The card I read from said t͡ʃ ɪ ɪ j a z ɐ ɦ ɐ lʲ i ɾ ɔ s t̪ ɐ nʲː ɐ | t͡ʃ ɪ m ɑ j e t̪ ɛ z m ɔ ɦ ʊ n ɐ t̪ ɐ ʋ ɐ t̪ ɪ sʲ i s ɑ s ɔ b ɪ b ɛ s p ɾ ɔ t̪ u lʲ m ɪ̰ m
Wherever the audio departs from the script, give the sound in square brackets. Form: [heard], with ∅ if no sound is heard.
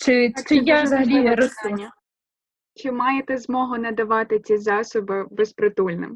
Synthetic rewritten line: t͡ʃ ɪ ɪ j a z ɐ ɦ ɐ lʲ i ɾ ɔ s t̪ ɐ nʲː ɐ | t͡ʃ ɪ m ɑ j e t̪ ɛ z m ɔ ɦ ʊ n ɐ [d̪] ɐ ʋ [ɑ] t̪ ɪ [t͡sʲ] i [z] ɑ s ɔ b ɪ b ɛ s p ɾ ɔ t̪ u lʲ [n] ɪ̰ m